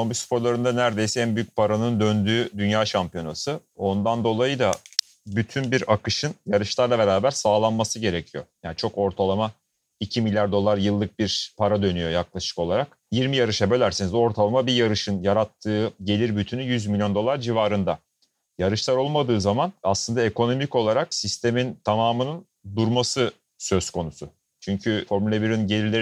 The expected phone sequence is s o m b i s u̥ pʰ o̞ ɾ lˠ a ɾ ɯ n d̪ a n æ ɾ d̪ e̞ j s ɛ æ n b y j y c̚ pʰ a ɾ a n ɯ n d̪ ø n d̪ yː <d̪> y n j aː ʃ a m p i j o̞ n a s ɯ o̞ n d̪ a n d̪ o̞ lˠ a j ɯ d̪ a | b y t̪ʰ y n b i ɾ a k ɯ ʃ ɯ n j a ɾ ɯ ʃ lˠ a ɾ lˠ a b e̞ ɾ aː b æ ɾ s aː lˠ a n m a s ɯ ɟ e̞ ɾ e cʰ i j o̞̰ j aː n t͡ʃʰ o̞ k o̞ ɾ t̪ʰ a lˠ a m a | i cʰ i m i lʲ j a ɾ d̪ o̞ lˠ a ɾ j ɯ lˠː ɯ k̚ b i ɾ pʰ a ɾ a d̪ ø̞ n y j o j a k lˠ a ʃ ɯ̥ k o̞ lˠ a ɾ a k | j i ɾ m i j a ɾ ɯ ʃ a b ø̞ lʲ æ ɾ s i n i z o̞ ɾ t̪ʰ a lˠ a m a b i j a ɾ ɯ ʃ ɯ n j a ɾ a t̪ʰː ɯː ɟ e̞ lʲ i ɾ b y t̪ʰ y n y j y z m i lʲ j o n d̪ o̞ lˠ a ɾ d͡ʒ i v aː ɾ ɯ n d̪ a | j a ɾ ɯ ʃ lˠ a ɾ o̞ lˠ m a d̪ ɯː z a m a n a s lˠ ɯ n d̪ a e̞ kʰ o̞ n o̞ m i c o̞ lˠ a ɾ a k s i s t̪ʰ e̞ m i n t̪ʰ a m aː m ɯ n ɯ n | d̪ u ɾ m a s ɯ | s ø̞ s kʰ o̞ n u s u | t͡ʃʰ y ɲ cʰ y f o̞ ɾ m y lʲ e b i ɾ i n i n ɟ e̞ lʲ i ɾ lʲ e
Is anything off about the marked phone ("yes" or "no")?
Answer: no